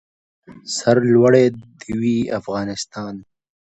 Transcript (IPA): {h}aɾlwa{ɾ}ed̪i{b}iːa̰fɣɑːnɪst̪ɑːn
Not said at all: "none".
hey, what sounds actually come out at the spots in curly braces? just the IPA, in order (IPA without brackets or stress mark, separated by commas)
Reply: s, ɽ, w